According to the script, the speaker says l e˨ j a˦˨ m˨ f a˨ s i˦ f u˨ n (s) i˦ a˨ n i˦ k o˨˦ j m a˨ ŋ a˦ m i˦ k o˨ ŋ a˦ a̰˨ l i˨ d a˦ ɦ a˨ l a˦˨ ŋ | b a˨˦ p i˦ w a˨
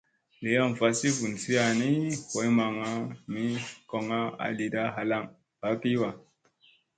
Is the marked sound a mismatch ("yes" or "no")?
no